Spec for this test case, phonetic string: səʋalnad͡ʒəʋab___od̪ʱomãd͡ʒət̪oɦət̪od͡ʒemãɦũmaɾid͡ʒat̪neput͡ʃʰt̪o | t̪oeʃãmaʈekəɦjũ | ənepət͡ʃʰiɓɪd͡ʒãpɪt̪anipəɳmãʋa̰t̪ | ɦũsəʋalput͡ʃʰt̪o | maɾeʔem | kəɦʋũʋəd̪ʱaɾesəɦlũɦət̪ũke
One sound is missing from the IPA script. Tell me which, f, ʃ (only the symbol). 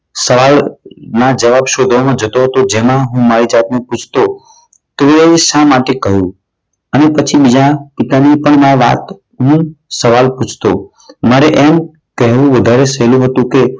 ʃ